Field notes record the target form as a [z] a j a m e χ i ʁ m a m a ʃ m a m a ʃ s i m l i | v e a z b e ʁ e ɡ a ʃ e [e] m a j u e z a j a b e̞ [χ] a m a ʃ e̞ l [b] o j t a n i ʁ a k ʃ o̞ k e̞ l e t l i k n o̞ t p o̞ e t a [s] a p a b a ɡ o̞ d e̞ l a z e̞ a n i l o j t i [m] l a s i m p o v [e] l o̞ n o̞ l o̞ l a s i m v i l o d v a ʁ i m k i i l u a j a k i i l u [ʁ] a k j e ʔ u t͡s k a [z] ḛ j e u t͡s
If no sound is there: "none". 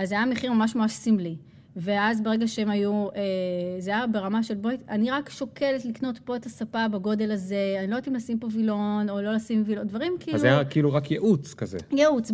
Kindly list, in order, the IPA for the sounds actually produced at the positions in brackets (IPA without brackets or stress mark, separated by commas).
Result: z, e, ʁ, b, s, m, i, ʁ, z